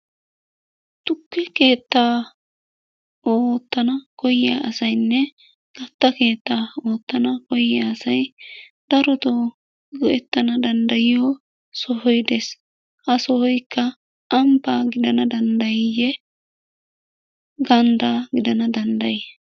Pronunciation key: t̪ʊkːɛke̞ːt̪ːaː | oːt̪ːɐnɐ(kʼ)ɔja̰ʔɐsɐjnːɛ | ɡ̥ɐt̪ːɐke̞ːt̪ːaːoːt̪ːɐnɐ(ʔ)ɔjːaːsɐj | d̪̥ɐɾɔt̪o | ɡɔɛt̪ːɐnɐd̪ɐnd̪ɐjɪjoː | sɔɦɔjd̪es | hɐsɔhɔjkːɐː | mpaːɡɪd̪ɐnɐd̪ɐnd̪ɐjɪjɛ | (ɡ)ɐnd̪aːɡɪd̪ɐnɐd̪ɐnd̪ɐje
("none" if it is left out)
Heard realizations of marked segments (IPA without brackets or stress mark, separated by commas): k, k, ɡ